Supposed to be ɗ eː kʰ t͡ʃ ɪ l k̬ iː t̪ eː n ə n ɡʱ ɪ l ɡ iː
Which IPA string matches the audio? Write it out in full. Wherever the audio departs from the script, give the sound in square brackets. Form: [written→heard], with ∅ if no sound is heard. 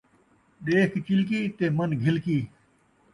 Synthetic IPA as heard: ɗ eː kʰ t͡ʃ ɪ l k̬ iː t̪ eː [n→m] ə n ɡʱ ɪ l [ɡ→k] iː